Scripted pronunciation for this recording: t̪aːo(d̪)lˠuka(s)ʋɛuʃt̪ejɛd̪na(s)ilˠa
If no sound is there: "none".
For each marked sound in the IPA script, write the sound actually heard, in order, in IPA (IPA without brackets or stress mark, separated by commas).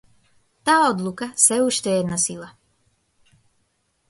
d̪, s, s